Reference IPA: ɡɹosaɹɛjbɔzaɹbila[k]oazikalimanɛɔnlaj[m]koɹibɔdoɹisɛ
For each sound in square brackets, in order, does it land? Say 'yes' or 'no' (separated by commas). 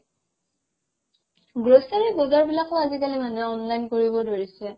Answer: yes, no